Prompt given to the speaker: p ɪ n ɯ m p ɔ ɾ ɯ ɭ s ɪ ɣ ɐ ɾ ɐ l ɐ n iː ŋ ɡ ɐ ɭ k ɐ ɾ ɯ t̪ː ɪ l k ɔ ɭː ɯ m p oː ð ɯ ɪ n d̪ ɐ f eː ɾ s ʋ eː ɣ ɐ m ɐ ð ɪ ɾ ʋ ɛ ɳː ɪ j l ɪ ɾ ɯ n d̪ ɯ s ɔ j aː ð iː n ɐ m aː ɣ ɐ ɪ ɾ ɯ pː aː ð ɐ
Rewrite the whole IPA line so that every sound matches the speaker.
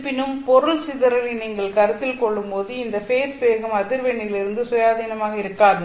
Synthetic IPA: p ɪ n ɯ m p ɔ ɾ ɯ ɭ s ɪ ð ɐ ɾ ɐ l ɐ n iː ŋ ɡ ɐ ɭ k ɐ ɾ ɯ t̪ː ɪ l k ɔ ɭː ɯ m p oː ð ɯ ɪ n d̪ ɐ f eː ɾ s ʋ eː ɣ ɐ m ɐ ð ɪ ɾ ʋ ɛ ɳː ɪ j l ɪ ɾ ɯ n d̪ ɯ s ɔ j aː ð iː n ɐ m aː ɣ ɐ ɪ ɾ ɯ kː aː ð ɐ

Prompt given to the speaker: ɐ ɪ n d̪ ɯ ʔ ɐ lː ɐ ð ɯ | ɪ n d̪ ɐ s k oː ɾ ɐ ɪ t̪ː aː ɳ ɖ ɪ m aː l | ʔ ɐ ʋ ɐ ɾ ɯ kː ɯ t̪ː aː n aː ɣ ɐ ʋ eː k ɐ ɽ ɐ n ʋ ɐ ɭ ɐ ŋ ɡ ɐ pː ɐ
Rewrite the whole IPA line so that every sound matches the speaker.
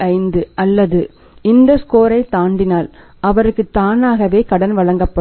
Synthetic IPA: ɐ ɪ n d̪ ɯ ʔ ɐ lː ɐ ð ɯ | ɪ n d̪ ɐ s k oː ɾ ɐ ɪ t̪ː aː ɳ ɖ ɪ n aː l | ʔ ɐ ʋ ɐ ɾ ɯ kː ɯ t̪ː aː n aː ɣ ɐ ʋ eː k ɐ ɽ ɐ n ʋ ɐ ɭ ɐ ŋ ɡ ɐ pː ɐ

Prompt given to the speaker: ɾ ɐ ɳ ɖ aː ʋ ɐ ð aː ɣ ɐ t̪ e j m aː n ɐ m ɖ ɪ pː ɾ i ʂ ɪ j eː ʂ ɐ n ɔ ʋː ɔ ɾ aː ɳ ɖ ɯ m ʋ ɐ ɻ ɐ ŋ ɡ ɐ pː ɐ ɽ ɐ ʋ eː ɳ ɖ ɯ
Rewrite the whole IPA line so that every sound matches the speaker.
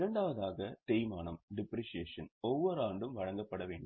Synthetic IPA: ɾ ɐ ɳ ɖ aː ʋ ɐ ð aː ɣ ɐ t̪ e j m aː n ɐ m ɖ ɪ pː ɾ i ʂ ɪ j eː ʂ ɐ n ɔ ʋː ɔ ɾ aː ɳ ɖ ɯ m ʋ ɐ ɻ ɐ ŋ ɡ ɐ pː ɐ ɽ ɐ ʋ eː ɳ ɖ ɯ

